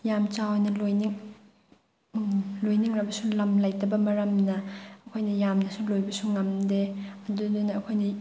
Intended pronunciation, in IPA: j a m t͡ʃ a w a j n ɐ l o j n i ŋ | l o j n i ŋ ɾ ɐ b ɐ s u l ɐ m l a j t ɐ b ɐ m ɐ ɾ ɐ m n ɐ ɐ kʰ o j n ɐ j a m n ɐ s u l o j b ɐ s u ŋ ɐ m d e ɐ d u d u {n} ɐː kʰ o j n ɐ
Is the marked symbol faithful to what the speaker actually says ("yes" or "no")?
yes